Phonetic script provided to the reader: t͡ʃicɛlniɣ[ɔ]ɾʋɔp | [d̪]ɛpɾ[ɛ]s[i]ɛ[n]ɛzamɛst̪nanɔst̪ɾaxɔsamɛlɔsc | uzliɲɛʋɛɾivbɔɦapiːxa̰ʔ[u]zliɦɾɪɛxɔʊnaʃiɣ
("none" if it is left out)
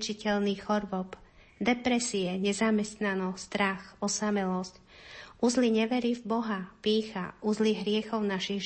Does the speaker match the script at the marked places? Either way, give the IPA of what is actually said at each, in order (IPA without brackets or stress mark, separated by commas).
ɔ, d̪, ɛ, i, ɲ, u